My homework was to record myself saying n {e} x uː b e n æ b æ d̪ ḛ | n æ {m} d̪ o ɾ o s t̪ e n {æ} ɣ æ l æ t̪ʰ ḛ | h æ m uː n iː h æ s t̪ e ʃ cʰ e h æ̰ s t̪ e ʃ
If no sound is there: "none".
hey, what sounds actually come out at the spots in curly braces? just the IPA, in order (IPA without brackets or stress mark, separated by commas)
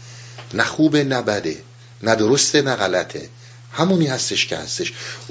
æ, none, æ